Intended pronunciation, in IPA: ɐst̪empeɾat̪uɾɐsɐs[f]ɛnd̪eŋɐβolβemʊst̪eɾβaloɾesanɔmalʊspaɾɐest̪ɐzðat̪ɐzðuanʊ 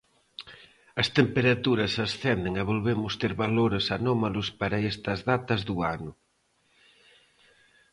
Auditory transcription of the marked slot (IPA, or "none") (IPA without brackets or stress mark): θ